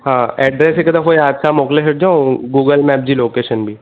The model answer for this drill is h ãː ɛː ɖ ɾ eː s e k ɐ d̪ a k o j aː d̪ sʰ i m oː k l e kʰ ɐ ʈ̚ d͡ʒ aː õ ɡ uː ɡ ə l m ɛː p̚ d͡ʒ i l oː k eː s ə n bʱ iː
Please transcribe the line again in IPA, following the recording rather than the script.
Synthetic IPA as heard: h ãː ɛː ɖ ɾ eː s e k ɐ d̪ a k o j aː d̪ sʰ a m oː k l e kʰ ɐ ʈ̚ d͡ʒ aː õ ɡ uː ɡ ə l m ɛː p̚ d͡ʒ i l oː k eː ʃ ə n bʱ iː